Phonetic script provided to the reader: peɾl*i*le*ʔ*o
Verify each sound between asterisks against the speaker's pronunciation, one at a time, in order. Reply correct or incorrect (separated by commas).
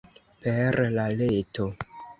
incorrect, incorrect